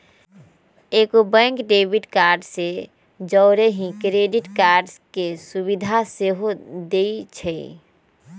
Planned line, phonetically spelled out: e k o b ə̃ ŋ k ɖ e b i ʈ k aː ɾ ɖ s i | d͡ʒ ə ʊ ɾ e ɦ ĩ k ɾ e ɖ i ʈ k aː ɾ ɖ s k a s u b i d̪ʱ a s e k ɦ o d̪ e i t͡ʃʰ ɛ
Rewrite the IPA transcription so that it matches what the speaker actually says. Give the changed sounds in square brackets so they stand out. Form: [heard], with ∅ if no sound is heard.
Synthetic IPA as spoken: e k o b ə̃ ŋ k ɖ e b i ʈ k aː ɾ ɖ s [e] | d͡ʒ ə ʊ ɾ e ɦ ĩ k ɾ e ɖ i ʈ k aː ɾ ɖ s k [e] s u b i d̪ʱ a s e [∅] ɦ o d̪ e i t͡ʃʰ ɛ